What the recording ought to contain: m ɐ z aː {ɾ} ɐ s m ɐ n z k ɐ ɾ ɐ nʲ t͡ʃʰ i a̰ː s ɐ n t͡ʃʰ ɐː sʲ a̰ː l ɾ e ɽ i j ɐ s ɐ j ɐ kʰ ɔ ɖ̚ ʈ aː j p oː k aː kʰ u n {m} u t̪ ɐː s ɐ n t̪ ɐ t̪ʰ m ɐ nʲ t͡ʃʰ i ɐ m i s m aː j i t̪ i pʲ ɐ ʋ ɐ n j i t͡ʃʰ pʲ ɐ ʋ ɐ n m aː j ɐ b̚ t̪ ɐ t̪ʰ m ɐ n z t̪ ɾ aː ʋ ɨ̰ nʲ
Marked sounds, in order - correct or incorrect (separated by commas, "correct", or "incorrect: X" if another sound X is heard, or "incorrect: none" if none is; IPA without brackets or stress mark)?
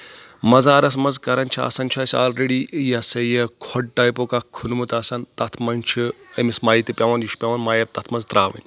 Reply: correct, correct